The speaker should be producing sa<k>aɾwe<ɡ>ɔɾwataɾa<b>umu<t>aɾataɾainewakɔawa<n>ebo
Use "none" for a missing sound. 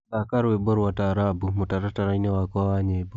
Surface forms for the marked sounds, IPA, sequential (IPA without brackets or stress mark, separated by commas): k, b, b, t, ɲ